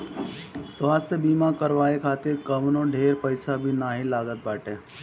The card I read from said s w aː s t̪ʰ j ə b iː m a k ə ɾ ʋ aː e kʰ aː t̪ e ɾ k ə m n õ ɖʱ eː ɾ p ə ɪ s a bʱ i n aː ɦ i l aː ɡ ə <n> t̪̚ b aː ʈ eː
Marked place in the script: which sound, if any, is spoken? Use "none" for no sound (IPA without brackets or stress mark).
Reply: none